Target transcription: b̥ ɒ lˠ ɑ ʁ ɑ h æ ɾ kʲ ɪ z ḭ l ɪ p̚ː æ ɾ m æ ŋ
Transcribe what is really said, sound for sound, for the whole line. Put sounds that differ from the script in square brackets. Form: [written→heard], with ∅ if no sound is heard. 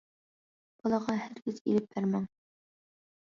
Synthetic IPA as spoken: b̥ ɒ lˠ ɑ ʁ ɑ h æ ɾ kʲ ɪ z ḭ l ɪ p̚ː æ ɾ m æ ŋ